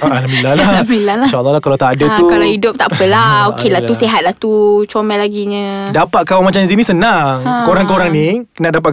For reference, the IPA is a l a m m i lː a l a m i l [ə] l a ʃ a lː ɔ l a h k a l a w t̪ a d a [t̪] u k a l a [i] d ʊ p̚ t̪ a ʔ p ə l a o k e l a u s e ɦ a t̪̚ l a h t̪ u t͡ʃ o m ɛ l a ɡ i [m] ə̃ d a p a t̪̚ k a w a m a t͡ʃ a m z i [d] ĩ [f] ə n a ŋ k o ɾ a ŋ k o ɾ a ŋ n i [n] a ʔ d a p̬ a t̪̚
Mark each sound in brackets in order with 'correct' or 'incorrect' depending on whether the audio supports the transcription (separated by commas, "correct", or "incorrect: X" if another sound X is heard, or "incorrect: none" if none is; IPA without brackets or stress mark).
incorrect: a, correct, correct, incorrect: ɲ, incorrect: n, incorrect: s, correct